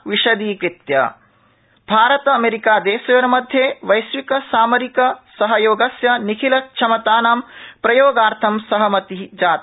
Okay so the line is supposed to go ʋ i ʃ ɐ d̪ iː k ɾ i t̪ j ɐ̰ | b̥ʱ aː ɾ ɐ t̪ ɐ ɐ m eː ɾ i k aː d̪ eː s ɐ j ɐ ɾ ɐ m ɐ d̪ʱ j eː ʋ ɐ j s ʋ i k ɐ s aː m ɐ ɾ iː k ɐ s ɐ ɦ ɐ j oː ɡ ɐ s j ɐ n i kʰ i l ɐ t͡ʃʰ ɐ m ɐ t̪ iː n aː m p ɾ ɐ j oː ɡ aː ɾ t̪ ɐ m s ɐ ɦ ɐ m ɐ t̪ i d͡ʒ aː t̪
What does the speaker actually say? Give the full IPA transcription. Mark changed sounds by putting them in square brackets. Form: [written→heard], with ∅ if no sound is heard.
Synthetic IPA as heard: ʋ i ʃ ɐ d̪ iː k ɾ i t̪ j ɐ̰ | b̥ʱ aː ɾ ɐ t̪ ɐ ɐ m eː ɾ i k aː d̪ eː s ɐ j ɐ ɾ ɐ m ɐ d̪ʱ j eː ʋ ɐ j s ʋ i k ɐ s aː m ɐ ɾ [iː→i] k ɐ s ɐ ɦ ɐ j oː ɡ ɐ s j ɐ n i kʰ i l ɐ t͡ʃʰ ɐ m ɐ t̪ [iː→aː] n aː m p ɾ ɐ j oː ɡ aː ɾ [t̪→t̪ʰ] ɐ m s ɐ ɦ ɐ m ɐ t̪ i d͡ʒ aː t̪